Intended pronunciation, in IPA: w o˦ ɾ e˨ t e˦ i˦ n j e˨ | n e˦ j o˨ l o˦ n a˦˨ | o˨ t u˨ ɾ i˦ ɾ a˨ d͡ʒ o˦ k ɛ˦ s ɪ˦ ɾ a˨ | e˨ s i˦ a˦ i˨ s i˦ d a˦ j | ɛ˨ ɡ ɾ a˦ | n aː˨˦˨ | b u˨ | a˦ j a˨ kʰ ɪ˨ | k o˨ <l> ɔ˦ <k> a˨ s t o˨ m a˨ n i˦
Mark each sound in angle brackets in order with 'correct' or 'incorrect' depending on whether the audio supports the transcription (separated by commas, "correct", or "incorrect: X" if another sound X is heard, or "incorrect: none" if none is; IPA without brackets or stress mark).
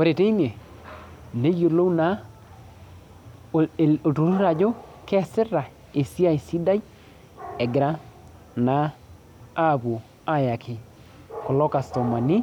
correct, correct